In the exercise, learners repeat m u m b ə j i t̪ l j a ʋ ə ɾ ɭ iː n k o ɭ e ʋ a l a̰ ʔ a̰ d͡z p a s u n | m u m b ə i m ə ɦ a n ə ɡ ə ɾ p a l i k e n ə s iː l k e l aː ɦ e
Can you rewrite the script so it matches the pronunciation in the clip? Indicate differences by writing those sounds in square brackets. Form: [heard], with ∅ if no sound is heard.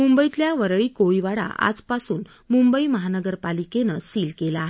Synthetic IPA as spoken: m u m b ə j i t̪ l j a ʋ ə ɾ ɭ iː [∅] k o ɭ [i] ʋ a [ɽ] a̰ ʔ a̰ d͡z p a s [uː] n | m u m b ə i m ə ɦ a n ə ɡ ə ɾ p a l i k e n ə s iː l k e l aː ɦ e